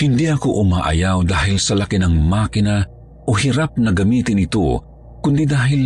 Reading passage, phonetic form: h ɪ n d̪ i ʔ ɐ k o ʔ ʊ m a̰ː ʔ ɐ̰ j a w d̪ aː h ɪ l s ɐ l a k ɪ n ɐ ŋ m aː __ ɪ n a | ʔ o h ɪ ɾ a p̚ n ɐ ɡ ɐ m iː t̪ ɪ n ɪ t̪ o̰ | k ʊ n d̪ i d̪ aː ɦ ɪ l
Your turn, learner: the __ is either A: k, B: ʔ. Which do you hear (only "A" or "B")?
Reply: A